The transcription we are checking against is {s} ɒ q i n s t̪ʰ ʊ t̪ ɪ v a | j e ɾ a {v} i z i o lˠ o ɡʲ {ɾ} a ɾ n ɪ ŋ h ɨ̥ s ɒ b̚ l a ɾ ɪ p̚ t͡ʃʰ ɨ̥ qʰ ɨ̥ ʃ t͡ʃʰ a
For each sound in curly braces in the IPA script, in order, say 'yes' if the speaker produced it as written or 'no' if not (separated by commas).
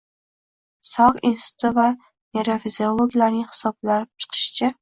yes, no, no